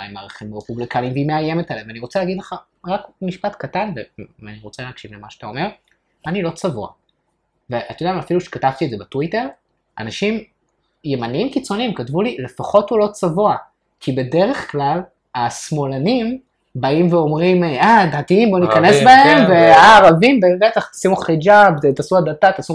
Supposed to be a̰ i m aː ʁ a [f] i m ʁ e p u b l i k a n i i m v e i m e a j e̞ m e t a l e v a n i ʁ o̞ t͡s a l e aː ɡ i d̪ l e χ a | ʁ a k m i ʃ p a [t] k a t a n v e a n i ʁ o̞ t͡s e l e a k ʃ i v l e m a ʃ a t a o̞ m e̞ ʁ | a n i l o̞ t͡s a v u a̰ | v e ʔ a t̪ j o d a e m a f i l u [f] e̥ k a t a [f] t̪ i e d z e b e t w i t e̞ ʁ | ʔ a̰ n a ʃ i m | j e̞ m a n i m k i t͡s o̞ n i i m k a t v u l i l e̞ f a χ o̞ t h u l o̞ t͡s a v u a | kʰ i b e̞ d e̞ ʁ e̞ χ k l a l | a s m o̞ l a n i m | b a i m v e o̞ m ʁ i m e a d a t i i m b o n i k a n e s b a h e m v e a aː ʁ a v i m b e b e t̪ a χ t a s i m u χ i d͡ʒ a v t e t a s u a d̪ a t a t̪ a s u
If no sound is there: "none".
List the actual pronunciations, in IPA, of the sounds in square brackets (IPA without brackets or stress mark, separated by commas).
χ, t, ʃ, v